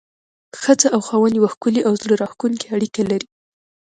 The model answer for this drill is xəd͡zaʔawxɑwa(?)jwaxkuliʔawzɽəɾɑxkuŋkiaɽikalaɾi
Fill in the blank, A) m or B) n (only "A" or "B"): B